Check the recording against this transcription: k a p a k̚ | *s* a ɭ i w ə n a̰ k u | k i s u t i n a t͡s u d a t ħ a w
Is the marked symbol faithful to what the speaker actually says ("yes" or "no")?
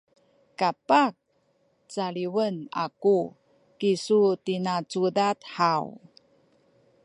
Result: no